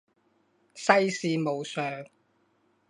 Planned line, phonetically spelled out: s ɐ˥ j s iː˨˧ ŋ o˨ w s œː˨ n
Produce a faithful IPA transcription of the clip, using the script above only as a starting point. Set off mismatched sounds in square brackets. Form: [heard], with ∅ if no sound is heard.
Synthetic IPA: s ɐ˥ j s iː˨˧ [m] o˨ w s œː˨ [ŋ]